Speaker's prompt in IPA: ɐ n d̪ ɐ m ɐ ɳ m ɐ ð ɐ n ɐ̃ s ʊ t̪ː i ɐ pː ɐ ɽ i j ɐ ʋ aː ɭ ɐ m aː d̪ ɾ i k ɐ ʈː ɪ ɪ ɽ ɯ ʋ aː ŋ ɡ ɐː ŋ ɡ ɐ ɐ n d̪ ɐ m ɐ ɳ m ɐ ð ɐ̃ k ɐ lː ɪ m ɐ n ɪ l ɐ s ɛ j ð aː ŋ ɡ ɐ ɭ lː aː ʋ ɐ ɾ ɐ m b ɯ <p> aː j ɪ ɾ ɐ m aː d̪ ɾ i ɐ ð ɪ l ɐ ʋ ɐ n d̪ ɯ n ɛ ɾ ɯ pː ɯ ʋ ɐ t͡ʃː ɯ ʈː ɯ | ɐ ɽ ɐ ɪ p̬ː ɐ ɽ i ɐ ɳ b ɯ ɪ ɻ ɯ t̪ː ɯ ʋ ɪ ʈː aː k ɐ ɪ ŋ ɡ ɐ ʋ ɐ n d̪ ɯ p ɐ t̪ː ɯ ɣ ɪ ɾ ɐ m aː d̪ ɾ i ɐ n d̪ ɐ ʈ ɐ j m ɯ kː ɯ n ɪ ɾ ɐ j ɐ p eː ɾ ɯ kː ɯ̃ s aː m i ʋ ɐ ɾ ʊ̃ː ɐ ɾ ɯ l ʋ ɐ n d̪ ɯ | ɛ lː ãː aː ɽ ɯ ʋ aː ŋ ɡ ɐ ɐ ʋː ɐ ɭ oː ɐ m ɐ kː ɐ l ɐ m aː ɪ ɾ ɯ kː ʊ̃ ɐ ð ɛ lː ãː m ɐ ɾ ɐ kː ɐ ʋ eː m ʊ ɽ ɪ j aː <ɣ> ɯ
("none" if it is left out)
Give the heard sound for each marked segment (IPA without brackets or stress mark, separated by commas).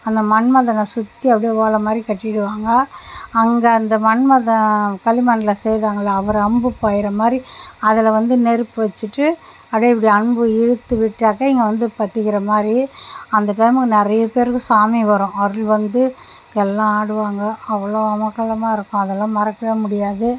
p, ð